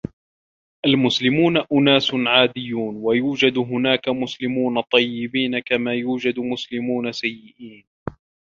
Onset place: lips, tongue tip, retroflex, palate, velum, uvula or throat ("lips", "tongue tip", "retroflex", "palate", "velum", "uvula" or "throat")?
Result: throat